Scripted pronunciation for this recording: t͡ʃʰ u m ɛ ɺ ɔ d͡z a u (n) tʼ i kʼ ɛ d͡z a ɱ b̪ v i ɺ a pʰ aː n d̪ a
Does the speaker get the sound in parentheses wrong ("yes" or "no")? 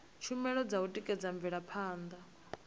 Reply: yes